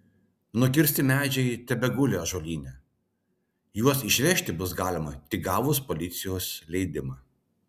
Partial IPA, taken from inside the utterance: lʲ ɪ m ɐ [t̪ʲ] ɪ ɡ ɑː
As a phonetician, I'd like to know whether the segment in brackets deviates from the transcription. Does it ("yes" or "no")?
no